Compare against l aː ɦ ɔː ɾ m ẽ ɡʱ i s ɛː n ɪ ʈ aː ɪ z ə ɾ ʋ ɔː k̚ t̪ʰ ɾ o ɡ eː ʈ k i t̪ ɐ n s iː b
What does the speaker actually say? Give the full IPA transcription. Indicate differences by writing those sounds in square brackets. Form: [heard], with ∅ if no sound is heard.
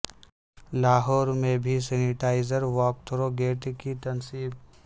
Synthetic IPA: l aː ɦ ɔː ɾ m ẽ [bʱ] i s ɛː n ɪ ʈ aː ɪ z ə ɾ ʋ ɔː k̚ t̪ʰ ɾ o ɡ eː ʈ k i t̪ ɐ n s iː b